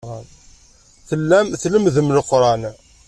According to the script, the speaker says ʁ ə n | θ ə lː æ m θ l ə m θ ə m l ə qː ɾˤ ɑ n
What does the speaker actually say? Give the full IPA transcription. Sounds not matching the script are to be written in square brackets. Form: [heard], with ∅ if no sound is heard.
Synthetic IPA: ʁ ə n | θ ə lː æ m θ l ə m [ð] ə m l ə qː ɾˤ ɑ n